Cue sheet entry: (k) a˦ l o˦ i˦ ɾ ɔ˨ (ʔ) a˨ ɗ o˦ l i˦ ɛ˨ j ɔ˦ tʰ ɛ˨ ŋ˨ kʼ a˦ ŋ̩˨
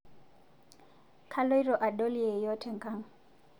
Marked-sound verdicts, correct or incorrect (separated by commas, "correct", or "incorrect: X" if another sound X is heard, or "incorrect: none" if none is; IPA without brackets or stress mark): incorrect: kʰ, correct